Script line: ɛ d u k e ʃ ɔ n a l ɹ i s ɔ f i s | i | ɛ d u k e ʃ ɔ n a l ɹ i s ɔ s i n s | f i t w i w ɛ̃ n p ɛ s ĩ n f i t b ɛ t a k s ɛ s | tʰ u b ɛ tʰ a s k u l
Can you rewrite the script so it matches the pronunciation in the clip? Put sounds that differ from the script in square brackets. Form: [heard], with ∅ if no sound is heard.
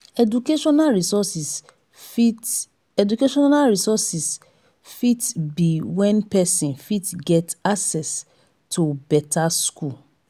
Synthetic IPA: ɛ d u k e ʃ ɔ n a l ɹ i s ɔ [s] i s | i | ɛ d u k e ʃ ɔ n a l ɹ i s ɔ s i [∅] s | f i t [b] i w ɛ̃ n p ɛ s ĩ n f i t [ɡ] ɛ t a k s ɛ s | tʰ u b ɛ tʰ a s k u l